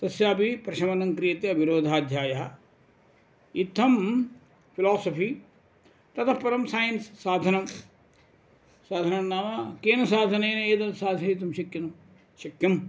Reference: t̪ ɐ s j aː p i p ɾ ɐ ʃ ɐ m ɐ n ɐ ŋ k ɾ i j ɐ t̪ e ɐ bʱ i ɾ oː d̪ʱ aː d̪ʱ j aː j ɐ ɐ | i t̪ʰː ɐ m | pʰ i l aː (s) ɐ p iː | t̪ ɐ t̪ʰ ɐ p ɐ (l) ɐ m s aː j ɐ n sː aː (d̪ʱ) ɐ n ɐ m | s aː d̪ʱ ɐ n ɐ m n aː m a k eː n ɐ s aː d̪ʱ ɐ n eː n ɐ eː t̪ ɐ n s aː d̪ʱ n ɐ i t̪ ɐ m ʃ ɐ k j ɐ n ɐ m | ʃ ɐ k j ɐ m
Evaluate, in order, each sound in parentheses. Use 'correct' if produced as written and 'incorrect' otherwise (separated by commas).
correct, incorrect, correct